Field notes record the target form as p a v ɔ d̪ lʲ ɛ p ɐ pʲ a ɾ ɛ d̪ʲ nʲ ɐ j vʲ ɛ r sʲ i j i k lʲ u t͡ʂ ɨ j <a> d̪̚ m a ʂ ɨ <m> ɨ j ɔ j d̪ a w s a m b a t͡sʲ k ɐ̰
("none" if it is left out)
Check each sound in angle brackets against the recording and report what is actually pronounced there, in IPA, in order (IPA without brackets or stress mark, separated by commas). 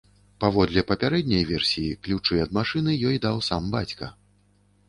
ɐ, n